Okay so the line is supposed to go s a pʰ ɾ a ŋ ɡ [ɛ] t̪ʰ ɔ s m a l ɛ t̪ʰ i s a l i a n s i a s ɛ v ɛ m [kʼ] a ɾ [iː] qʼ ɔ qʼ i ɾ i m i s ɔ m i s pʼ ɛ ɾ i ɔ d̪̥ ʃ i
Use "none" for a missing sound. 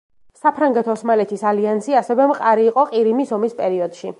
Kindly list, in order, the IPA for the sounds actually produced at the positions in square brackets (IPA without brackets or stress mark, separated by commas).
ɛ, qʼ, iː